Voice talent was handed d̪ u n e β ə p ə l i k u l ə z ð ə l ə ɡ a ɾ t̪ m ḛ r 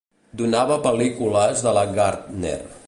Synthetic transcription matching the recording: d̪ u n a β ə p ə l i k u l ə z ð ə l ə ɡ a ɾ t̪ n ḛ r